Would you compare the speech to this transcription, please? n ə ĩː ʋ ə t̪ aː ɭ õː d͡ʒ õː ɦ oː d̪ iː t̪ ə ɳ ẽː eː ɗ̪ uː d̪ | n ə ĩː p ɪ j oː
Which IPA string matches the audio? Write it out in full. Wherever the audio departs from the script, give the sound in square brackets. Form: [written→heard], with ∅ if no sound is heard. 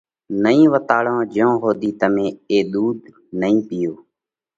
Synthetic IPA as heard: n ə ĩː ʋ ə t̪ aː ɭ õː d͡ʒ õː ɦ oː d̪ iː t̪ ə [ɳ→m] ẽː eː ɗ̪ uː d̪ | n ə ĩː p ɪ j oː